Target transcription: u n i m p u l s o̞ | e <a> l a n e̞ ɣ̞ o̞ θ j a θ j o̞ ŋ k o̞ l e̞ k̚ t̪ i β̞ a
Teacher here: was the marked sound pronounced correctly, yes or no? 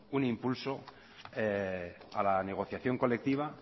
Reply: yes